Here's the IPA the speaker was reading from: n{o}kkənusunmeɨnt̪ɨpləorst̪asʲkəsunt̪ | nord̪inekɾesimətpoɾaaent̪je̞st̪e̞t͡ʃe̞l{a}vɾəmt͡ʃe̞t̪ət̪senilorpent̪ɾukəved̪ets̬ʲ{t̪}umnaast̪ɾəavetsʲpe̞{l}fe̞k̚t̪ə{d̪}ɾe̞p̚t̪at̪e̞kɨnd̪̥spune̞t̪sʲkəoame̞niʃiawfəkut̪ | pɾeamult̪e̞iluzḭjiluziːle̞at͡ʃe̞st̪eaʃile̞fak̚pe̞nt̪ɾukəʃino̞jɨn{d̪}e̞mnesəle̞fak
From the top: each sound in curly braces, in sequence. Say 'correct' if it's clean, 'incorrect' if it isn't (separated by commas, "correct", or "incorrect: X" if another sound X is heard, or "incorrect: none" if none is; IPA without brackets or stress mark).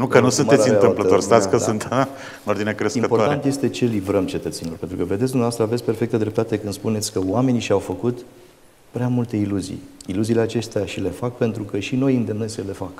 incorrect: u, incorrect: i, incorrect: d̪, incorrect: r, correct, correct